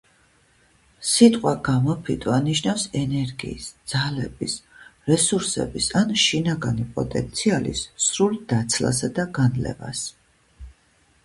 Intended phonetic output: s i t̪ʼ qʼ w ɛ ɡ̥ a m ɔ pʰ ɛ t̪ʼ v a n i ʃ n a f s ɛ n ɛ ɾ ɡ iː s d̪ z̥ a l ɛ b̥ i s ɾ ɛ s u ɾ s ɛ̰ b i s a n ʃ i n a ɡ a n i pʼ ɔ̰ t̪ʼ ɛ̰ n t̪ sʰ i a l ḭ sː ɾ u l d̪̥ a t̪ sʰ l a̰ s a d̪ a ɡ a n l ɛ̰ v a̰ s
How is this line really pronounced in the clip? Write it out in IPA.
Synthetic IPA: s i t̪ʼ qʼ w a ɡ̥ a m ɔ pʰ i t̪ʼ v a n i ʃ n a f s ɛ n ɛ ɾ ɡ iː s d̪ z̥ a l ɛ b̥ i s ɾ ɛ s u ɾ s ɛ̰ b i s a n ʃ i n a ɡ a n i pʼ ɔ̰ t̪ʼ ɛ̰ n t̪ sʰ i a l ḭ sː ɾ u l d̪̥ a t̪ sʰ l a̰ s a d̪ a ɡ a n l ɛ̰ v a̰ s